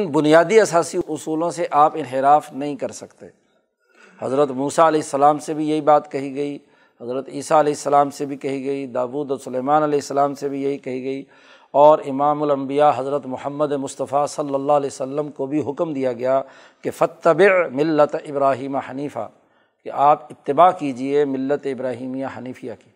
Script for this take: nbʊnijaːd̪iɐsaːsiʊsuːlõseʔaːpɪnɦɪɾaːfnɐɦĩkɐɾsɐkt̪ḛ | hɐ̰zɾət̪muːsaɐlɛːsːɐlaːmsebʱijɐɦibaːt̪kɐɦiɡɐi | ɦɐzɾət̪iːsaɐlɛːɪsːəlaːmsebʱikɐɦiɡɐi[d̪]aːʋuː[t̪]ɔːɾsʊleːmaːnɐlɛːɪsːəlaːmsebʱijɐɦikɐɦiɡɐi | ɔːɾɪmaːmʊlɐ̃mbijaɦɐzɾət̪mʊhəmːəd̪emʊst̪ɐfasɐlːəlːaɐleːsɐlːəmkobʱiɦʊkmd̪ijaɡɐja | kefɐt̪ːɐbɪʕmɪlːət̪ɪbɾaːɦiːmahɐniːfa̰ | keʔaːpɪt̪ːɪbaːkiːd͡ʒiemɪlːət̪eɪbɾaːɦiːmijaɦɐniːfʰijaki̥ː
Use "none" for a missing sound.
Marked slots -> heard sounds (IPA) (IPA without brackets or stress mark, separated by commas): d̪, d̪